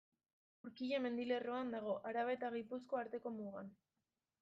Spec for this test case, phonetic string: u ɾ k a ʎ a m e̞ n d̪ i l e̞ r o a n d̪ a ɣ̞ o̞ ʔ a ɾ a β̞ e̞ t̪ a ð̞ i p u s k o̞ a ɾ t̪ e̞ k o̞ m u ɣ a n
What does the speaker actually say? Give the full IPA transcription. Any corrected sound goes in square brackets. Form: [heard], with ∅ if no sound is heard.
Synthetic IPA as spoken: u ɾ k [i] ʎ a m e̞ n d̪ i l e̞ r o a n d̪ a ɣ̞ o̞ ʔ a ɾ a β̞ e̞ t̪ a [ɣ̞] i p u s k o̞ a ɾ t̪ e̞ k o̞ m u ɣ a n